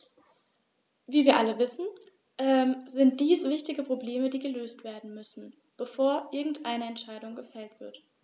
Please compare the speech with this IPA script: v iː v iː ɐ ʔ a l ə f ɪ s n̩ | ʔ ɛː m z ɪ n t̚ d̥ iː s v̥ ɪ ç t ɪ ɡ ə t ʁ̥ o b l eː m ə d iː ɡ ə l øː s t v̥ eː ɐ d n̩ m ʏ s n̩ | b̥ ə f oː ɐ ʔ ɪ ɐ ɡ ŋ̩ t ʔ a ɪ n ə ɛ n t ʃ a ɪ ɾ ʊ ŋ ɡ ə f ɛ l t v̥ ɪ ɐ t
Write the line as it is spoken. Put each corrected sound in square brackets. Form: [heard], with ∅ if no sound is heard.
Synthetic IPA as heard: v iː v iː ɐ ʔ a l ə [v] ɪ s n̩ | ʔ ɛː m z ɪ n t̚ d̥ iː s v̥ ɪ ç t ɪ ɡ ə [p] ʁ̥ o b l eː m ə d iː ɡ ə l øː s t v̥ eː ɐ d n̩ m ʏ s n̩ | b̥ ə f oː ɐ ʔ ɪ ɐ ɡ ŋ̩ t ʔ a ɪ n ə ɛ n t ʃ a ɪ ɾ ʊ ŋ ɡ ə f ɛ l t v̥ ɪ ɐ t